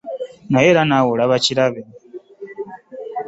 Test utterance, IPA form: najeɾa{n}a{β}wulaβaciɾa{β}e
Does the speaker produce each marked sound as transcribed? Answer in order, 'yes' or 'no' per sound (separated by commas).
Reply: yes, no, yes